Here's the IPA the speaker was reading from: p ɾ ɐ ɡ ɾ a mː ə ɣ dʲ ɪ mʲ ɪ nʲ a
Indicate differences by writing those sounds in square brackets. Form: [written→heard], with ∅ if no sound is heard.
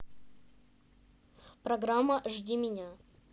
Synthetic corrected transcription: p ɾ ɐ ɡ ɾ a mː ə [ɣ→ʐ] dʲ [ɪ→i] mʲ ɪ nʲ a